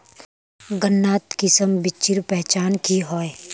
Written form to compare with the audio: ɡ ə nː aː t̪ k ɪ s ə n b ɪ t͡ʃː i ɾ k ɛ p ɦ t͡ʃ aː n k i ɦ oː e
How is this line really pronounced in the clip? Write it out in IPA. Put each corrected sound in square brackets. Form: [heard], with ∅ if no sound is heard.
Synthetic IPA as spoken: ɡ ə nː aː t̪ k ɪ s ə [m] b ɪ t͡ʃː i ɾ [p] ɛ [∅] ɦ t͡ʃ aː n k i ɦ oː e